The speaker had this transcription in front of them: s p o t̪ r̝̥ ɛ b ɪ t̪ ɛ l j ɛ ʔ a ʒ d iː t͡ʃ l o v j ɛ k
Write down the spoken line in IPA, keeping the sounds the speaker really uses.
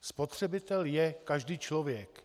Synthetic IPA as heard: s p o t̪ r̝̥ ɛ b ɪ t̪ ɛ l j ɛ k a ʒ d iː t͡ʃ l o v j ɛ k

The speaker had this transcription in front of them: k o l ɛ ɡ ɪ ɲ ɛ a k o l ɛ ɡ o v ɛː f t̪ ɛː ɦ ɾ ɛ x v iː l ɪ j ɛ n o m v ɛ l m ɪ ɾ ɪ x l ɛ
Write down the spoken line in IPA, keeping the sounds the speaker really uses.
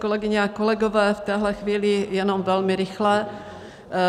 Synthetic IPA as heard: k o l ɛ ɡ ɪ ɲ ɛ a k o l ɛ ɡ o v ɛː f t̪ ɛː ɦ l ɛ x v iː l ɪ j ɛ n o m v ɛ l m ɪ ɾ ɪ x l ɛ

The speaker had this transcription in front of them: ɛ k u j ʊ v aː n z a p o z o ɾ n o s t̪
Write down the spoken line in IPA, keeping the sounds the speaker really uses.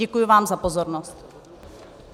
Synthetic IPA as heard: ɛ k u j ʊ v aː m z a p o z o ɾ n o s t̪

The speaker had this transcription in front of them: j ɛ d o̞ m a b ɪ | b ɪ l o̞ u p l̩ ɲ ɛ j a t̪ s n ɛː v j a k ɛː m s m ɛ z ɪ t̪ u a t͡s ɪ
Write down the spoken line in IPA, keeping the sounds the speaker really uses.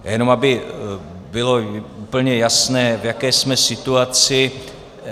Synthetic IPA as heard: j ɛ n o̞ m a b ɪ | b ɪ l o̞ u p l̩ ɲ ɛ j a s n ɛː v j a k ɛː s m ɛ s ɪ t̪ u a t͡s ɪ

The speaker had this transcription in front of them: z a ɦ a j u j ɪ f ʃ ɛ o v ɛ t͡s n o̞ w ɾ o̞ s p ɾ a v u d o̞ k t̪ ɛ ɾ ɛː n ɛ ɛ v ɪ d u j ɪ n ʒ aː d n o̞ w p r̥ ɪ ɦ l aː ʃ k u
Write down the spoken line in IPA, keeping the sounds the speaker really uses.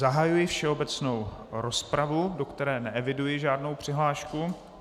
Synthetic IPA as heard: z a ɦ a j u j ɪ f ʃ ɛ o b ɛ t͡s n o̞ w ɾ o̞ s p ɾ a v u d o̞ k t̪ ɛ ɾ ɛː n ɛ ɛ v ɪ d u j ɪ ʒ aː d n o̞ w p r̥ ɪ ɦ l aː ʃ k u

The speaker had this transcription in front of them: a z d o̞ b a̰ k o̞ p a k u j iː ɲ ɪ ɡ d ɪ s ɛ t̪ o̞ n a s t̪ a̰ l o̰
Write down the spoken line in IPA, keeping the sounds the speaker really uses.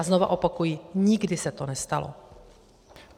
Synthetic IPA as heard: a z n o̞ v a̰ ʔ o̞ p a k u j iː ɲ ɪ ɡ d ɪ s ɛ t̪ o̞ n ɛ s t̪ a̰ l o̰

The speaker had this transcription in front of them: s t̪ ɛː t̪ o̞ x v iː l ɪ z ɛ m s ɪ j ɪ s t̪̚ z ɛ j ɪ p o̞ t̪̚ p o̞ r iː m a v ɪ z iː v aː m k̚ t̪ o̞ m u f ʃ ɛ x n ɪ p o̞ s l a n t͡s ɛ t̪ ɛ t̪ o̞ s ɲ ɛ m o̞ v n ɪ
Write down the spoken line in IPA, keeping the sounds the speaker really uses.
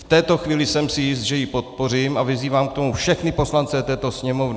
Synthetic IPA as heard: f t̪ ɛː t̪ o̞ x v iː l ɪ s ɛ m s ɪ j ɪ s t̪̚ ʒ ɛ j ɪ p o̞ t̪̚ p o̞ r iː m a v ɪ z iː v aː m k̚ t̪ o̞ m u f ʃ ɛ x n ɪ p o̞ s l a n t͡s ɛ t̪ ɛː t̪ o̞ s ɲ ɛ m o̞ v n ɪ

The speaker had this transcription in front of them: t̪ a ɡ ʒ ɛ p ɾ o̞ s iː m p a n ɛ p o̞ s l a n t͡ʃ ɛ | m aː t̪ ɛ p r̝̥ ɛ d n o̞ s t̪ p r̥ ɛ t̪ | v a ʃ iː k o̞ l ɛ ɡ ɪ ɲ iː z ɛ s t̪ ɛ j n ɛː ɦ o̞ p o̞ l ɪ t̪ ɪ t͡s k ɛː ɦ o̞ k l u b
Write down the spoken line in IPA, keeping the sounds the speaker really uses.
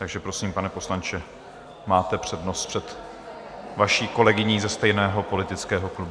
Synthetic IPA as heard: t̪ a ɡ ʒ ɛ p ɾ o̞ s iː m p a n ɛ p o̞ s l a n t͡ʃ ɛ | m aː t̪ ɛ p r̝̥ ɛ d n o̞ s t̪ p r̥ ɛ t̪ | v a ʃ iː k o̞ l ɛ ɡ ɪ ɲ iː z ɛ s t̪ ɛ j n ɛː ɦ o̞ p o̞ l ɪ t̪ ɪ t͡s k ɛː ɦ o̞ k l u b

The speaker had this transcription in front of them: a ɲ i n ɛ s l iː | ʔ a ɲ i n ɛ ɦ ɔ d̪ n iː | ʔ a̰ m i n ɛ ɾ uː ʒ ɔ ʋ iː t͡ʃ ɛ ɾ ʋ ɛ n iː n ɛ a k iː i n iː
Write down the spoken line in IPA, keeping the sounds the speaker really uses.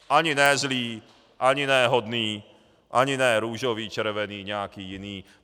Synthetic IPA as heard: a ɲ i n ɛ z l iː | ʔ a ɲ i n ɛ ɦ ɔ d̪ n iː | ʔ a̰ ɲ i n ɛ ɾ uː ʒ ɔ ʋ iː t͡ʃ ɛ ɾ ʋ ɛ n iː ɲ ɛ a k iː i n iː

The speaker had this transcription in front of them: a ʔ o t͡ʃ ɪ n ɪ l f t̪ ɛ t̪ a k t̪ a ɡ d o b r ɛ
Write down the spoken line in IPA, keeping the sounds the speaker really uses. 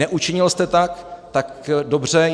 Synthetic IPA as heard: ɛ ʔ u t͡ʃ ɪ ɲ ɪ l s t̪ ɛ t̪ a k t̪ a k d o b r ɛ

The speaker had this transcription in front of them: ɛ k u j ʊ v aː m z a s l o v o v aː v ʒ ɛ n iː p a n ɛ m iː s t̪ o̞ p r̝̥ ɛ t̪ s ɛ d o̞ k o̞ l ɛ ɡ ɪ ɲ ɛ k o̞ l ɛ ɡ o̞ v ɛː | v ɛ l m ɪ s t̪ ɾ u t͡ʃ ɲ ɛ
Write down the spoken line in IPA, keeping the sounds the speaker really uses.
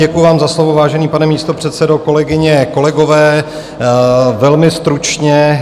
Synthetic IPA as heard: ɛ k u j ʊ v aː m z a s l o v o v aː ʒ ɛ n iː p a n ɛ m iː s t̪ o̞ p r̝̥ ɛ t̪ s ɛ d o̞ k o̞ l ɛ ɡ ɪ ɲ ɛ k o̞ l ɛ ɡ o̞ v ɛː | v ɛ l m ɪ s t̪ ɾ u t͡ʃ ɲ ɛ

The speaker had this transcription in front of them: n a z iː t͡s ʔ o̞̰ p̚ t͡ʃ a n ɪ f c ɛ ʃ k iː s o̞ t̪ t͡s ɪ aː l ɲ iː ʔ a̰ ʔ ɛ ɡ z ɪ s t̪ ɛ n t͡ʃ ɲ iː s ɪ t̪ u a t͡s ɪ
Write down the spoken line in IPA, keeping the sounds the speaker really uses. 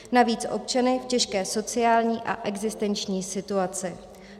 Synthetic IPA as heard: n a v iː t͡s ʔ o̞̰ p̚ t͡ʃ a n ɪ f c ɛ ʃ k ɛː s o̞ t͡s ɪ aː l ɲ iː ʔ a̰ ʔ ɛ ɡ z ɪ s t̪ ɛ n t͡ʃ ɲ iː s ɪ t̪ u a t͡s ɪ

